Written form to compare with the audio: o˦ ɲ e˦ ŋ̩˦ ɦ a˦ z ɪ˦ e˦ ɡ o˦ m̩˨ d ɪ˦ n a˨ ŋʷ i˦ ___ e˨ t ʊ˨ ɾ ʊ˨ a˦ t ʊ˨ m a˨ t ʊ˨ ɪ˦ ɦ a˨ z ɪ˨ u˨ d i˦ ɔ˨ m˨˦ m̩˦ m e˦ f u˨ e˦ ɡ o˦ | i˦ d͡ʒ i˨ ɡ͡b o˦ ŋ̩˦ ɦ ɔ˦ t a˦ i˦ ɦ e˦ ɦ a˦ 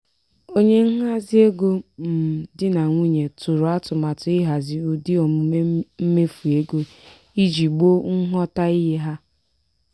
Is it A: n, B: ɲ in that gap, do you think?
B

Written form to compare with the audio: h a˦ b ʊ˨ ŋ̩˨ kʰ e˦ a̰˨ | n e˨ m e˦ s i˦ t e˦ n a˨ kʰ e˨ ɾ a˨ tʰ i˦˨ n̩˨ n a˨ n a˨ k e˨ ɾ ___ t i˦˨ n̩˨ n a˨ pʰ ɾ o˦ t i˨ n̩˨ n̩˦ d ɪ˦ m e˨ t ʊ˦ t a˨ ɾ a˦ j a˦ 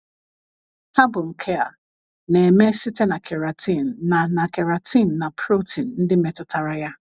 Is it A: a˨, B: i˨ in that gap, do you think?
A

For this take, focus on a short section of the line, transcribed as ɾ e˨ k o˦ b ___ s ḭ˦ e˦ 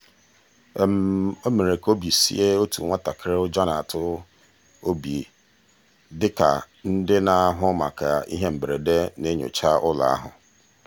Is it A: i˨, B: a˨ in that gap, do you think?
A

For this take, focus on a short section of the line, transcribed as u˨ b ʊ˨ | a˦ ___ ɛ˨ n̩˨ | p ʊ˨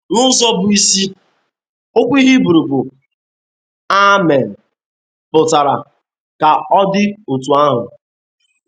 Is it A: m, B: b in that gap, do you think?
A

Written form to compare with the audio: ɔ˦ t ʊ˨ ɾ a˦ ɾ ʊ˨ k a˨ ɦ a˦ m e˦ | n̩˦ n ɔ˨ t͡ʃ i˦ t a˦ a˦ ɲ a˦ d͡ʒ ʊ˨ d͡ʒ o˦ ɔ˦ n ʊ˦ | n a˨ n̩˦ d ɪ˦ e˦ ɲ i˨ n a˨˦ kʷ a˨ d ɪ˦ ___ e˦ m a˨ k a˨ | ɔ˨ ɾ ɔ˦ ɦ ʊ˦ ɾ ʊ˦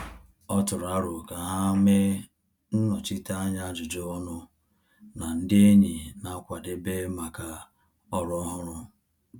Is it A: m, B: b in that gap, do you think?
B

